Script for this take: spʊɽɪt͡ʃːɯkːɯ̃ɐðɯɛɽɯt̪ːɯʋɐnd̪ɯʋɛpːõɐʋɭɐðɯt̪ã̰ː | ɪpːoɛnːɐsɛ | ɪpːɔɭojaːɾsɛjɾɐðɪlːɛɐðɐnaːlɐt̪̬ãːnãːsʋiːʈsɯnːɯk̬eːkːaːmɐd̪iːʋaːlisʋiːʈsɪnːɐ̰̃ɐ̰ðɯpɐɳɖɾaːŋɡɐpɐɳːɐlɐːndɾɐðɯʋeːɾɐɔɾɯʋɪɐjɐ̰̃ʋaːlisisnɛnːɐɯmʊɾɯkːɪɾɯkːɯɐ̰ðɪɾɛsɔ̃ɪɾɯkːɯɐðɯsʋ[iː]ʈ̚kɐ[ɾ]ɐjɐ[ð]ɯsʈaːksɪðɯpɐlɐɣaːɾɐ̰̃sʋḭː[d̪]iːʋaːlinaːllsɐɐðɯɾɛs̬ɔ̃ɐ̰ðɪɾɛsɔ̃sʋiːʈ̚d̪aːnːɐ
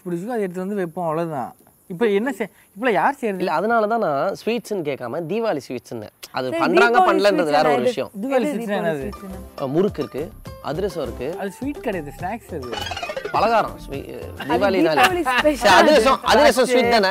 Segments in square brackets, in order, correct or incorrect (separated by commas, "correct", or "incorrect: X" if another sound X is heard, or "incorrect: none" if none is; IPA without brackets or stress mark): correct, incorrect: ɽ, correct, correct